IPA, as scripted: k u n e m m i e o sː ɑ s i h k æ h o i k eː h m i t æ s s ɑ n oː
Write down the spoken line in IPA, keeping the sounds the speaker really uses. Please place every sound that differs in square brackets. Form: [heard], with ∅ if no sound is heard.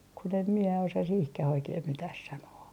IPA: k u n e m m i e o [s] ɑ s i h k æ h o i k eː h m i t æ [h] s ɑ n oː